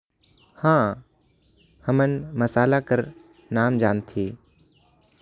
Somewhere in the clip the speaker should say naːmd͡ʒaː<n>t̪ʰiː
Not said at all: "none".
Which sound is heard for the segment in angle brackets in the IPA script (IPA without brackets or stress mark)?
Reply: n